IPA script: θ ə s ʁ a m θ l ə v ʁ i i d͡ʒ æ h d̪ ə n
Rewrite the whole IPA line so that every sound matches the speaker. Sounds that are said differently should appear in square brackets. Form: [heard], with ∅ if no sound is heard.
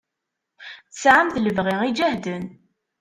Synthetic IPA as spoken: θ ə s [ʕ] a m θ l ə v ʁ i i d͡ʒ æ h d̪ ə n